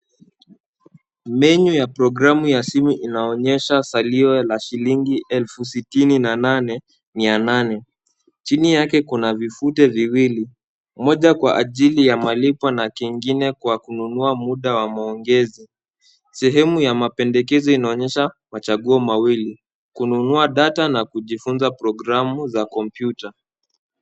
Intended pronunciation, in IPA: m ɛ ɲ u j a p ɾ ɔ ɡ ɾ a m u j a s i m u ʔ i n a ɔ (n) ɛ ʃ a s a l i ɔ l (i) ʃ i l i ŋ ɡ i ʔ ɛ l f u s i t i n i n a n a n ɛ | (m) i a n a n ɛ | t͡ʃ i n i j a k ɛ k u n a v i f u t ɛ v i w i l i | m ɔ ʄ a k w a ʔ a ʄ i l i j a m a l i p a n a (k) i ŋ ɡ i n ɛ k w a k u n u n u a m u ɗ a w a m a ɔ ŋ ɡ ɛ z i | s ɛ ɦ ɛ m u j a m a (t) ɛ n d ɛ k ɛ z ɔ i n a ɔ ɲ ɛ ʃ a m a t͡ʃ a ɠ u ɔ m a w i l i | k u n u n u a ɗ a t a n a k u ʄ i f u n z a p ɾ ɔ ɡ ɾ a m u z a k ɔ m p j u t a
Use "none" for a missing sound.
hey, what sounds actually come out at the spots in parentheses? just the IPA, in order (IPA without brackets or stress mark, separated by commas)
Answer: ɲ, a, m, k, p